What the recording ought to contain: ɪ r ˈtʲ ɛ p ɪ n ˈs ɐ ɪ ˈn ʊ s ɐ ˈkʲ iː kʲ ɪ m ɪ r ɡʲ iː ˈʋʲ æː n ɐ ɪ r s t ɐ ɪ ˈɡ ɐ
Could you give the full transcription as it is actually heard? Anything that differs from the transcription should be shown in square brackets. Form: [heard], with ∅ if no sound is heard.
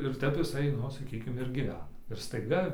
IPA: ɪ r ˈtʲ ɛ p ɪ [∅] ˈs ɐ ɪ ˈn ʊ s ɐ ˈkʲ iː kʲ ɪ m ɪ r ɡʲ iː ˈʋʲ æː n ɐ ɪ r s t ɐ ɪ ˈɡ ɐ